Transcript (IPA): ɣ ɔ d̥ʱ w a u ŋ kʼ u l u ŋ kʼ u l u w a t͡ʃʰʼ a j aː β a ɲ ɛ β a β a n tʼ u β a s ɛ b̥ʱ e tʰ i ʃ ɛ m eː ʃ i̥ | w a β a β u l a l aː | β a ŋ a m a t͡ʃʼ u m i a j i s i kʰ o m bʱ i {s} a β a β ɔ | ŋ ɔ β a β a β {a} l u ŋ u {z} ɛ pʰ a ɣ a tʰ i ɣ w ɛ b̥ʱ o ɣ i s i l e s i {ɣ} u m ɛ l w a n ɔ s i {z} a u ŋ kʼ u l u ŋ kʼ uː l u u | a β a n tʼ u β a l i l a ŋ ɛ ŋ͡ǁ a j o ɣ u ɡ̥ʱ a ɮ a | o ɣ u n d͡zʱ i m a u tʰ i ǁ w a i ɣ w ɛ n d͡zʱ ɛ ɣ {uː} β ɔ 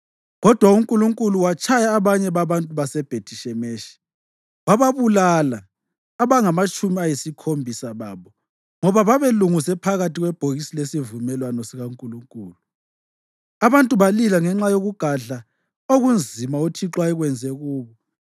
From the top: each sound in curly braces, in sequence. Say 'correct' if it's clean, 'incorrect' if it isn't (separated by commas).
correct, incorrect, incorrect, incorrect, incorrect, correct